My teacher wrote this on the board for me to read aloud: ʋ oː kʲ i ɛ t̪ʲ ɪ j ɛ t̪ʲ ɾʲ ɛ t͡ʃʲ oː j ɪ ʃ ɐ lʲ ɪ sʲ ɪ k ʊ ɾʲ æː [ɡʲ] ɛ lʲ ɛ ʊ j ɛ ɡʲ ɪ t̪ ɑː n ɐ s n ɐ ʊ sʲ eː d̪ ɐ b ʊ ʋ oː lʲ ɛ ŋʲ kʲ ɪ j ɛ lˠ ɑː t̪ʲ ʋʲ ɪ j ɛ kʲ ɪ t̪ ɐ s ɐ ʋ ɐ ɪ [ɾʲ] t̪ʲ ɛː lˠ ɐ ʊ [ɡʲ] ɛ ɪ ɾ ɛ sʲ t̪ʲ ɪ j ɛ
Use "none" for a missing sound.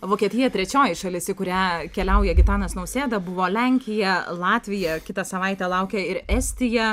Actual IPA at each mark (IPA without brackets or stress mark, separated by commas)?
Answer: kʲ, none, kʲ